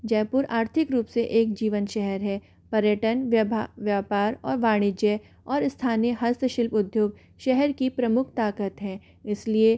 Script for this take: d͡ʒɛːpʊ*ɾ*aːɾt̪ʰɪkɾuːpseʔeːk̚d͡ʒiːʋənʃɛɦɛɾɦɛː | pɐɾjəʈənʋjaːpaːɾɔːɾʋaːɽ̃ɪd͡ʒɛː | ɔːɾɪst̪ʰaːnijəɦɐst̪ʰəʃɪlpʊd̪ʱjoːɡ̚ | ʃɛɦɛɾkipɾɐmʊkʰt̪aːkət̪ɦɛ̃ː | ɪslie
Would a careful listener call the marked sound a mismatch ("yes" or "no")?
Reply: no